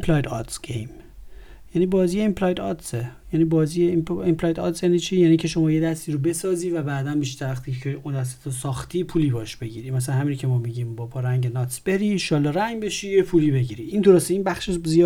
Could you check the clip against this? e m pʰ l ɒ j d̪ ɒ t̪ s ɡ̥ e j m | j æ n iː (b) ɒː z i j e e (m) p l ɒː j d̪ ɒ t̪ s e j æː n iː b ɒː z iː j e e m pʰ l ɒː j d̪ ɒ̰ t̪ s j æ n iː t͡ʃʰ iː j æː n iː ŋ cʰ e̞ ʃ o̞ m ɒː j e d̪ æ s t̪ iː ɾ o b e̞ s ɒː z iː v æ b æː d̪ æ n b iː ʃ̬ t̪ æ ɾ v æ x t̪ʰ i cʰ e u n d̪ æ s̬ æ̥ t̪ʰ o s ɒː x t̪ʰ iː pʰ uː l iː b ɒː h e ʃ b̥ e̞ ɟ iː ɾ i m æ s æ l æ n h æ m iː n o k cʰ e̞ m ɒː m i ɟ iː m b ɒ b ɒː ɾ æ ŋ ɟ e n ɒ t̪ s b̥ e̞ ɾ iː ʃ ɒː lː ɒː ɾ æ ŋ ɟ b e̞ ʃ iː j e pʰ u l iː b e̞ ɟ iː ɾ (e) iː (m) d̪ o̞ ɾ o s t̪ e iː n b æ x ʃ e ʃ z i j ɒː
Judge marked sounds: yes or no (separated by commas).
yes, yes, no, no